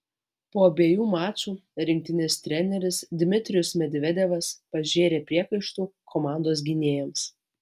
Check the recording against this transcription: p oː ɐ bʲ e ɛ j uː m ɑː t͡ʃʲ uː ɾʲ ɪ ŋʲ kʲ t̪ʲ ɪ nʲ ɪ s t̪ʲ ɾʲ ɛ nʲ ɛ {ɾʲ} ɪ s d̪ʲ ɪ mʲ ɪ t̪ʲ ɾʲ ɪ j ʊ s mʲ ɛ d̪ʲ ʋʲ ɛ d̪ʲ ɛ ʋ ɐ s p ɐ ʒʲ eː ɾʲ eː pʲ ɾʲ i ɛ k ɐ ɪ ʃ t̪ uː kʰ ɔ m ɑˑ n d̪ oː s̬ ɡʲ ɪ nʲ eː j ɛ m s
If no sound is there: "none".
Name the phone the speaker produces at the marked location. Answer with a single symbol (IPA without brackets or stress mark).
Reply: ɾʲ